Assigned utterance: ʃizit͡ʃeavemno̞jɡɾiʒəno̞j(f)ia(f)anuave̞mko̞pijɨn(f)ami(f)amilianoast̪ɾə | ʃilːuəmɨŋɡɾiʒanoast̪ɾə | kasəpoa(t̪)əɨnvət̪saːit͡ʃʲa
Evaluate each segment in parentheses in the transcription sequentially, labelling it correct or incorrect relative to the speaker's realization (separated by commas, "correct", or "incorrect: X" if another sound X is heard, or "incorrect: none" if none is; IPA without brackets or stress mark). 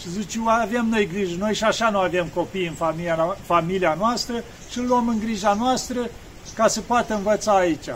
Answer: incorrect: ʃ, incorrect: ʃ, correct, correct, correct